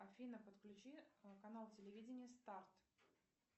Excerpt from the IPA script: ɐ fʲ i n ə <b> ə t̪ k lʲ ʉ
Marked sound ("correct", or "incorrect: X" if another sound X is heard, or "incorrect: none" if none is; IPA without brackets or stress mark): incorrect: p